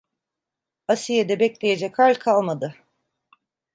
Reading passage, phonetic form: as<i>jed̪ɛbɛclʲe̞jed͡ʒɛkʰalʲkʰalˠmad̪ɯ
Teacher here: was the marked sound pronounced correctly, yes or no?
yes